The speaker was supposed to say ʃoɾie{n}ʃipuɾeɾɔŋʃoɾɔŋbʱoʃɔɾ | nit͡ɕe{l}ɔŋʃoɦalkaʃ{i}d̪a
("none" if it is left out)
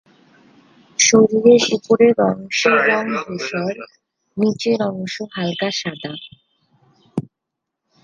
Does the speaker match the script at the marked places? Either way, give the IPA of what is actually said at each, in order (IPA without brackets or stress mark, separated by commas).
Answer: none, ɾ, a